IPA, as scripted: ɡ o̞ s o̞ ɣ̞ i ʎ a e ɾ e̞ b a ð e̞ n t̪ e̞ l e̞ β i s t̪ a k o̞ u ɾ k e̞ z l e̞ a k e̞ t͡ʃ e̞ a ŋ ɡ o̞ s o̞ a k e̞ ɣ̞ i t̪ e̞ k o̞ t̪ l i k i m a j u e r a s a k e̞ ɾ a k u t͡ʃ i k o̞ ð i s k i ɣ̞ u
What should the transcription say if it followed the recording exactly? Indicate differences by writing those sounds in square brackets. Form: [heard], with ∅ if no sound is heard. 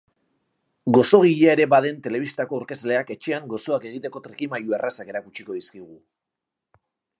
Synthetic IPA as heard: ɡ o̞ s o̞ ɣ̞ i ʎ a e ɾ e̞ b a ð e̞ n t̪ e̞ l e̞ β i s t̪ a k o̞ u ɾ k e̞ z l e̞ a k e̞ t͡ʃ e̞ a ŋ ɡ o̞ s o̞ a k e̞ ɣ̞ i t̪ e̞ k o̞ t̪ [ɾ] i k i m a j u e r a s a k e̞ ɾ a k u t͡ʃ i k o̞ ð i s k i ɣ̞ u